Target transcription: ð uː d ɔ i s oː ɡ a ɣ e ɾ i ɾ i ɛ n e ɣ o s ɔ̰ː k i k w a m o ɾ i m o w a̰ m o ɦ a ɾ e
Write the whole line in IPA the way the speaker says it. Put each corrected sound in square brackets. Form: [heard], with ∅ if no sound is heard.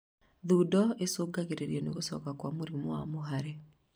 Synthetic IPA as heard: ð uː d ɔ [e] s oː ɡ a ɣ e ɾ [e] ɾ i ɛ n e ɣ o s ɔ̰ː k [a] k w a m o ɾ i m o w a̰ m o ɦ a ɾ e